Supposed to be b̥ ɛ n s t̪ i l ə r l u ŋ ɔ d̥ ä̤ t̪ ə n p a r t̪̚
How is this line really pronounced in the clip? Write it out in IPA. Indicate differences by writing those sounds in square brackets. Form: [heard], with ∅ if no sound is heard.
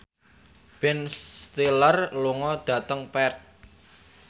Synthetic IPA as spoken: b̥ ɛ n s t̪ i l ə r l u ŋ ɔ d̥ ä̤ t̪ ə [ŋ] p [ɛ] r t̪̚